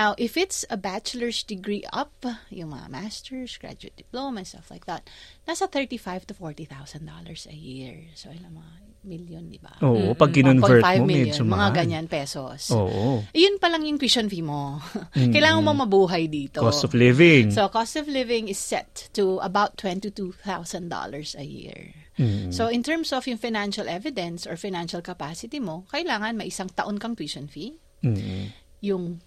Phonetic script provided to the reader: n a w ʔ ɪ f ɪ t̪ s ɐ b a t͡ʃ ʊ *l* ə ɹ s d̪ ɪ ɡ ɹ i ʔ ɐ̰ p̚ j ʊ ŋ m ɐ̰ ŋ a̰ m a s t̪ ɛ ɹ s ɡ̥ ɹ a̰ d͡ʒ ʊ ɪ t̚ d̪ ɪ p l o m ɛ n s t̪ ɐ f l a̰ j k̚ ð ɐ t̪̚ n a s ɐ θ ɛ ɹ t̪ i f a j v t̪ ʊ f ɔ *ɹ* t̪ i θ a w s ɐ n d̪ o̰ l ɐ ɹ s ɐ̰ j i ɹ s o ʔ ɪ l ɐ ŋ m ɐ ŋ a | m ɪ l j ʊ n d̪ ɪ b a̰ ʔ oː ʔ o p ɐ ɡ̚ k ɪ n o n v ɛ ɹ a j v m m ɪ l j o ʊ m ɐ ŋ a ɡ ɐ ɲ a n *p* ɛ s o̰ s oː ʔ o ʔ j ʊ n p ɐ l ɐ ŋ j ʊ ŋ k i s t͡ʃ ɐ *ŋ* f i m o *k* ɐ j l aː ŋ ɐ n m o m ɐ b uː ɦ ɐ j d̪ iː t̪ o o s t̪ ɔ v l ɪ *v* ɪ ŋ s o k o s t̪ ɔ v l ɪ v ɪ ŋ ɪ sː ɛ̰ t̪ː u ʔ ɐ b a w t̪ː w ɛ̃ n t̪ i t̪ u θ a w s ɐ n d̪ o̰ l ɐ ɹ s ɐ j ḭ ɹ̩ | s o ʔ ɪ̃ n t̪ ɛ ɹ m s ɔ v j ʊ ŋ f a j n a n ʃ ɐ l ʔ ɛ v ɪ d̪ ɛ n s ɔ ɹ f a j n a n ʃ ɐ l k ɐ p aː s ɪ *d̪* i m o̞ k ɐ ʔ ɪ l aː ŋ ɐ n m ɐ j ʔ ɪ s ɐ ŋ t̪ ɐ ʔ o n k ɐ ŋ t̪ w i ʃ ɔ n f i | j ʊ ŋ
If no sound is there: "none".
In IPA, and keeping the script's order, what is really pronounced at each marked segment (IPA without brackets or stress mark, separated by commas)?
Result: l, ɹ, p, n, k, v, t̪